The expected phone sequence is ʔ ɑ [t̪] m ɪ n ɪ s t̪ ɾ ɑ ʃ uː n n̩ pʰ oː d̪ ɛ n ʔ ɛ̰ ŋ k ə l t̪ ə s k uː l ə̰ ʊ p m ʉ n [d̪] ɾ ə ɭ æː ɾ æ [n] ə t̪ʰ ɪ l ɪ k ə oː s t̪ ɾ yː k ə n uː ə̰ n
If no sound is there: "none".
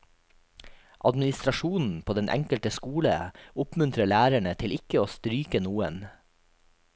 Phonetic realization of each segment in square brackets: d̪, t̪, ɳ

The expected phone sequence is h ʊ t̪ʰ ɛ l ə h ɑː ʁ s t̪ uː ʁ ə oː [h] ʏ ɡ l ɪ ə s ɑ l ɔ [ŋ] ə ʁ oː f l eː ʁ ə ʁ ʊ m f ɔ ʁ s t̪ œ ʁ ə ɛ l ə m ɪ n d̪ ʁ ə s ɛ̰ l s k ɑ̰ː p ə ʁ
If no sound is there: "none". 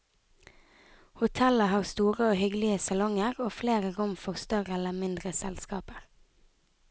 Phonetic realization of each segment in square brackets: h, ŋ

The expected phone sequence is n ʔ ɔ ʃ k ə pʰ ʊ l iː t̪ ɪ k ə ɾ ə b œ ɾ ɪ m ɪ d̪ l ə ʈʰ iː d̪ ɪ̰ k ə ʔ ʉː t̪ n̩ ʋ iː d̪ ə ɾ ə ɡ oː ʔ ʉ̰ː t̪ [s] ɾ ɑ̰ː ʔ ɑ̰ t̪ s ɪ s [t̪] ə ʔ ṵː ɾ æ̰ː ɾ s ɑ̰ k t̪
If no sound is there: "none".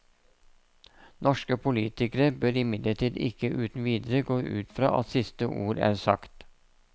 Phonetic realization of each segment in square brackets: f, t̪

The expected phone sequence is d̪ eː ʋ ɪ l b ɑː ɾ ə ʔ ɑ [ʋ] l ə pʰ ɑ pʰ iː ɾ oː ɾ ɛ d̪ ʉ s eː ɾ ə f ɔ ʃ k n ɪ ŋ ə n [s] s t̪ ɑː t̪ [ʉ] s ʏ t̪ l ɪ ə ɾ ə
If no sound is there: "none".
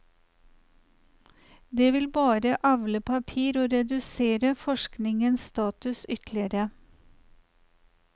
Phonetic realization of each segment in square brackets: ʋ, s, ʉ

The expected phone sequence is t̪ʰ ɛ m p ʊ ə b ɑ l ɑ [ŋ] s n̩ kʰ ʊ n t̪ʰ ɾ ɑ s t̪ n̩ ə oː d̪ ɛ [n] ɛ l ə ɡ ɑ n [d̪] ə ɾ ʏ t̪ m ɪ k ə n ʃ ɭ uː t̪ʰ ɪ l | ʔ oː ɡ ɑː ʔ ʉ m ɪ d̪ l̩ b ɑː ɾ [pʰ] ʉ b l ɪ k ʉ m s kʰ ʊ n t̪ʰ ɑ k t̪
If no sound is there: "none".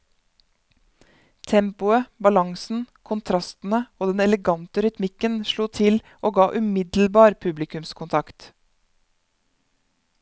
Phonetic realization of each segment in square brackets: ŋ, n, t̪, pʰ

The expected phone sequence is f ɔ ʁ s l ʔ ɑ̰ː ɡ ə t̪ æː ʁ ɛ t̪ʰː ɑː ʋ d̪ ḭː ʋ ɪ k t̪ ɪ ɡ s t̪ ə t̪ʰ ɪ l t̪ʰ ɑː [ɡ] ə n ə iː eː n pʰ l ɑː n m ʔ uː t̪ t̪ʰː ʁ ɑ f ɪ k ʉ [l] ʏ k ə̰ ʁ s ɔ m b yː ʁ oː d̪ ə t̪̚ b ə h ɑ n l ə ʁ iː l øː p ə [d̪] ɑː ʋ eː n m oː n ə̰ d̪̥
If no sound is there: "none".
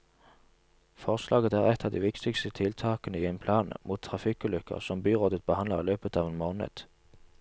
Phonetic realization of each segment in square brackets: k, l, t̪

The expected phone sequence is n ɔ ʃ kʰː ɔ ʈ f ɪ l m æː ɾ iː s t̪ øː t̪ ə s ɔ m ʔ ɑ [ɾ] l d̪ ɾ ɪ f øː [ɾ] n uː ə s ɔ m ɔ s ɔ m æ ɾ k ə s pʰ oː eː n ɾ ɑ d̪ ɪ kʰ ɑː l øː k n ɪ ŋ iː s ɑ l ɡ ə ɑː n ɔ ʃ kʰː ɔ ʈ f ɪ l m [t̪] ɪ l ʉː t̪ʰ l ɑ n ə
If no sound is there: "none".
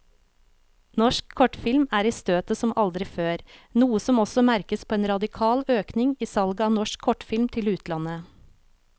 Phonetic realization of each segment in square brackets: none, ɾ, t̪ʰ

